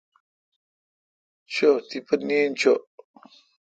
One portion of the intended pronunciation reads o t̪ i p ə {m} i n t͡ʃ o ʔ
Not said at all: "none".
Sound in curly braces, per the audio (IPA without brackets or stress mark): n